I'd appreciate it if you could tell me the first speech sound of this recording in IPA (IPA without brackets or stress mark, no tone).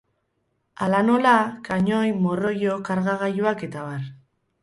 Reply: a